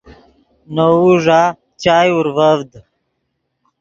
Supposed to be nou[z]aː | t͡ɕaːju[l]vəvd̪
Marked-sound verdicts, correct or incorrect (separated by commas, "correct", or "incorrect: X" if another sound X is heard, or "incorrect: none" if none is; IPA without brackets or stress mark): incorrect: ʐ, incorrect: ɾ